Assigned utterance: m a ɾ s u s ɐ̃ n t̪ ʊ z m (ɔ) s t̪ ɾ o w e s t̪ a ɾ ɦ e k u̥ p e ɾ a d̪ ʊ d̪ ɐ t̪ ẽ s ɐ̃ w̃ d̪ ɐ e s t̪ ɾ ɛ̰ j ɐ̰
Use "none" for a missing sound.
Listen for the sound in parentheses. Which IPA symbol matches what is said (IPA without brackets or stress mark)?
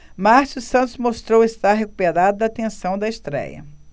o